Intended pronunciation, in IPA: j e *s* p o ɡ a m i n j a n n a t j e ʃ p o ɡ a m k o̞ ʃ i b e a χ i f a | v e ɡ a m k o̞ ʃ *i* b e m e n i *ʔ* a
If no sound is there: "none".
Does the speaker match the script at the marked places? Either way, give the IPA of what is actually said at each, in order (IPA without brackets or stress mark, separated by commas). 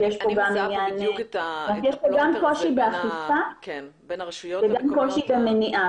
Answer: ʃ, i, ʔ